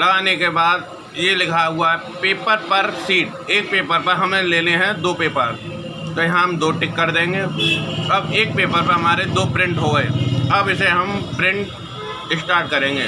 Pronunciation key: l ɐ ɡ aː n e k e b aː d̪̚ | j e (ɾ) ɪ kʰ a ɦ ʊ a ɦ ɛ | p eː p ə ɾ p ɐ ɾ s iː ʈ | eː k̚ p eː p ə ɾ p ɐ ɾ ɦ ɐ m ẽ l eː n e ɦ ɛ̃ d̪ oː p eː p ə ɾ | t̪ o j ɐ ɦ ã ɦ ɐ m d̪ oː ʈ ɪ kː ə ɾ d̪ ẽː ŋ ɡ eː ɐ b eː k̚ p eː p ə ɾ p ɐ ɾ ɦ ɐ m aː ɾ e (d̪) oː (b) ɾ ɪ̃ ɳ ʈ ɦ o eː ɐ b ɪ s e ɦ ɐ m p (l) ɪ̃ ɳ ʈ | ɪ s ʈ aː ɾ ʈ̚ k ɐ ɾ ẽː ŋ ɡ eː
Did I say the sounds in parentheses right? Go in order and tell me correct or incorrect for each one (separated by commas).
incorrect, correct, incorrect, incorrect